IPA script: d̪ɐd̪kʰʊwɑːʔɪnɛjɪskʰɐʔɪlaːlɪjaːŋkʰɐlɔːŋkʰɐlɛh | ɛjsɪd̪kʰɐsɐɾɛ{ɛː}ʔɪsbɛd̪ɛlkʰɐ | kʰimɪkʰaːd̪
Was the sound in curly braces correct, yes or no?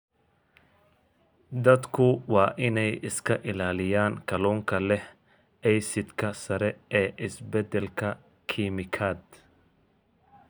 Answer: yes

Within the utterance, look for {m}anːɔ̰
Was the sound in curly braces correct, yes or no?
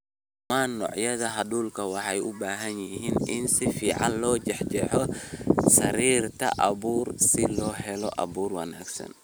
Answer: yes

